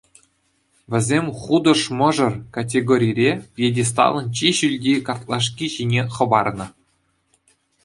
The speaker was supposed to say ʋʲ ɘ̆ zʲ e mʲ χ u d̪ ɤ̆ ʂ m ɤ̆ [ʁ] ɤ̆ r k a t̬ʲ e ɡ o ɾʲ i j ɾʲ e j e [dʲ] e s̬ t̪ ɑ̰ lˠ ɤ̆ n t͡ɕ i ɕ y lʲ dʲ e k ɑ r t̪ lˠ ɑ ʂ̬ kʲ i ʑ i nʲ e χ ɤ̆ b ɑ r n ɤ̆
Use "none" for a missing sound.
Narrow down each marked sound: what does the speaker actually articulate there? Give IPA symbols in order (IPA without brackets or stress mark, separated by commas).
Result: ʐ, dʲ